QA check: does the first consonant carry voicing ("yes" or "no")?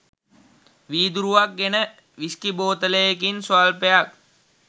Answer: yes